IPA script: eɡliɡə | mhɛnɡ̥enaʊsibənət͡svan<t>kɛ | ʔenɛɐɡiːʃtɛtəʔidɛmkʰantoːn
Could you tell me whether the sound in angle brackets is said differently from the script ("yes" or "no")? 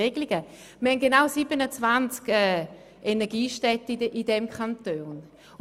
yes